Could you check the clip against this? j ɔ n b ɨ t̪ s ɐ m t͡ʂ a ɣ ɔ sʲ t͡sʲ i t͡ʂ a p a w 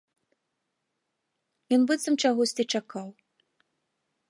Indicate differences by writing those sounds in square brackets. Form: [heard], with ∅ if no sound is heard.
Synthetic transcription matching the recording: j ɔ n b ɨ t̪ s ɐ m t͡ʂ a ɣ ɔ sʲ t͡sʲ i t͡ʂ a [k] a w